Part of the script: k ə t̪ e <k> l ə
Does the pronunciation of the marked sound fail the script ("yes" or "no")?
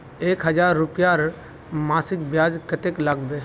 no